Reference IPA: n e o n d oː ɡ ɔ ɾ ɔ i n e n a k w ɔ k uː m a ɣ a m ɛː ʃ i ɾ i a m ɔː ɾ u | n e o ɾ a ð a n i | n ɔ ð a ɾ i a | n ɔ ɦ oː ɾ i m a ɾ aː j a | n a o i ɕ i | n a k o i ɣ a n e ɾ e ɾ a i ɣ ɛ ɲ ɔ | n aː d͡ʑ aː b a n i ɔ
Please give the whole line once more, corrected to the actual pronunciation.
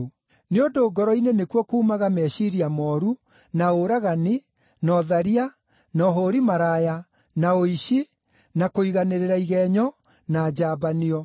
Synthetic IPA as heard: n e o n d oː ɡ ɔ ɾ ɔ i n e n e k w ɔ k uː m a ɣ a m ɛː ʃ i ɾ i a m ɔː ɾ u | n a o ɾ a ɣ a n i | n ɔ ð a ɾ i a | n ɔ ɦ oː ɾ i m a ɾ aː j a | n a o i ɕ i | n a k o i ɣ a n e ɾ e ɾ a i ɣ ɛ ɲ ɔ | n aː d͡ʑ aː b a n i ɔ